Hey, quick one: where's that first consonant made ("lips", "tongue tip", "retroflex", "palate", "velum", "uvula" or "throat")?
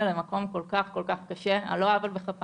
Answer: tongue tip